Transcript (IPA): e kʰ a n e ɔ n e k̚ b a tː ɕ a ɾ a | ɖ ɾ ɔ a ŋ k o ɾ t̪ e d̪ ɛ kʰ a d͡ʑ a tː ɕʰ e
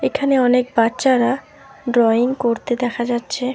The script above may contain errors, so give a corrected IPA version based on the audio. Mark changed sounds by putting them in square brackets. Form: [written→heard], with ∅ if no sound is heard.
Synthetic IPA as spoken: e kʰ a n e ɔ n e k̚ b a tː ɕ a ɾ a | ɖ ɾ ɔ [a→i] ŋ k o ɾ t̪ e d̪ ɛ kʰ a d͡ʑ a tː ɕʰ e